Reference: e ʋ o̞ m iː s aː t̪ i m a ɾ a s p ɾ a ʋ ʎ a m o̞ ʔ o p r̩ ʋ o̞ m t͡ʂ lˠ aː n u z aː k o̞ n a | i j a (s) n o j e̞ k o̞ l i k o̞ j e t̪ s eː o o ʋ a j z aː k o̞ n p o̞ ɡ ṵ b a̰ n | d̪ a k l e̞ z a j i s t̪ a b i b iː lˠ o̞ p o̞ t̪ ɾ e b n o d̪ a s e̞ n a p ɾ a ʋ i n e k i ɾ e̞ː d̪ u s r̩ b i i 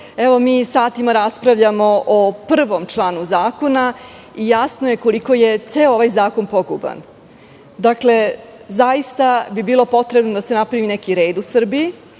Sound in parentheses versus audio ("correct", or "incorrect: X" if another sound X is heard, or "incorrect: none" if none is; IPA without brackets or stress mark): correct